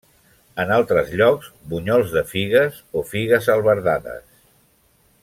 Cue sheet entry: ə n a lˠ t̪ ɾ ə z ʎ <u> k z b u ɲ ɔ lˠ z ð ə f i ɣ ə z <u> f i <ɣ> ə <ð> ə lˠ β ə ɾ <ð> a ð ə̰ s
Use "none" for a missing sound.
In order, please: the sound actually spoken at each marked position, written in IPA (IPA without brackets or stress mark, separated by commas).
ɔ, o, ɣ, z, ð